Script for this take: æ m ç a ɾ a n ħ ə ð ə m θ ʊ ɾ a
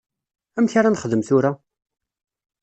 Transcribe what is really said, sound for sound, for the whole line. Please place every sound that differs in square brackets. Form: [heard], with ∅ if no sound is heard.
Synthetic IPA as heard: æ m ç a ɾ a n [χ] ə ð ə m θ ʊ ɾ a